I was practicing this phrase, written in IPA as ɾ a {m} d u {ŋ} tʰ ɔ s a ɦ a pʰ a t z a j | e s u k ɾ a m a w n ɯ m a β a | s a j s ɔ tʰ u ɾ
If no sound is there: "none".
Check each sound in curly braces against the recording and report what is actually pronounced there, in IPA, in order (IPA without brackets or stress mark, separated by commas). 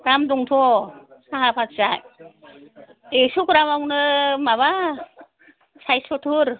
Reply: m, ŋ